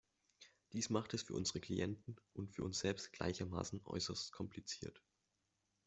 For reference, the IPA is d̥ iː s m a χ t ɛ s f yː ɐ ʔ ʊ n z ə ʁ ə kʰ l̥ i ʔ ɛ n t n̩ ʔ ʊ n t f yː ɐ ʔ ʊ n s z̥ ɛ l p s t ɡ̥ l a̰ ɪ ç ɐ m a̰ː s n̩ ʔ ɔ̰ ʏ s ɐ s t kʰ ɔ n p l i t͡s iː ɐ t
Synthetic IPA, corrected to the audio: d̥ iː s m a χ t ɛ s f yː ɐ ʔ ʊ n z ə ʁ ə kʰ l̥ i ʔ ɛ n t n̩ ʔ ʊ n t f yː ɐ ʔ ʊ n s z̥ ɛ l p s t ɡ̥ l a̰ ɪ ç ɐ m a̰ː s n̩ ʔ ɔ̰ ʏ s ɐ s t kʰ ɔ m p l i t͡s iː ɐ t